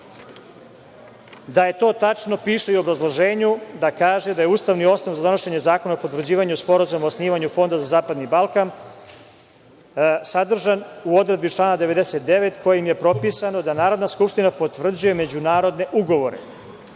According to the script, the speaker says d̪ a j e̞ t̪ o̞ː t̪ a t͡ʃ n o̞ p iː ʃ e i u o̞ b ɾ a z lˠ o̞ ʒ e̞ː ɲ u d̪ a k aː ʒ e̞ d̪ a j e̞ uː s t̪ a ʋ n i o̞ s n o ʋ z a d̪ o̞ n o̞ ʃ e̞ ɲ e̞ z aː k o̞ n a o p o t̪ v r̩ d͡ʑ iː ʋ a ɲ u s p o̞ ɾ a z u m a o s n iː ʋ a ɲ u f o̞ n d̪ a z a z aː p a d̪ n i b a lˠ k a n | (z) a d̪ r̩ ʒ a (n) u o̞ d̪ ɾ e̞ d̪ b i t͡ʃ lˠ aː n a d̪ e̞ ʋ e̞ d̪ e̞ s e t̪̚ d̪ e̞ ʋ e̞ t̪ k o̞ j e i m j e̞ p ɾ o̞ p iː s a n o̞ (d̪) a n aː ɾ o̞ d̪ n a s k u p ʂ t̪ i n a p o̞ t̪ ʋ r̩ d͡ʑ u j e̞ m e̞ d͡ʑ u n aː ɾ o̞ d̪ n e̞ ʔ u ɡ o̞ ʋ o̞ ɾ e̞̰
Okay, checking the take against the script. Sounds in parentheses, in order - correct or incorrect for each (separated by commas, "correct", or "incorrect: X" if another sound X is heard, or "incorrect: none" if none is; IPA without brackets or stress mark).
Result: incorrect: s, correct, correct